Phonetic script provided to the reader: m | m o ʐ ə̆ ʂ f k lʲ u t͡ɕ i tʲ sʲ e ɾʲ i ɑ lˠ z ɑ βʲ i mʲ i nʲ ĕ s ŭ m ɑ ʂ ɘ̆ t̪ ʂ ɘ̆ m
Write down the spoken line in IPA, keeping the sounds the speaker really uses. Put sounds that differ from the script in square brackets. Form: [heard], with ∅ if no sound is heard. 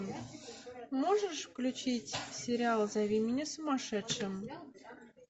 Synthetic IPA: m | m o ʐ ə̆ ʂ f k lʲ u t͡ɕ i tʲ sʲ e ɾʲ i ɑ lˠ z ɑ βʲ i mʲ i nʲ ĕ s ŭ m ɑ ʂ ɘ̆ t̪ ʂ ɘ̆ m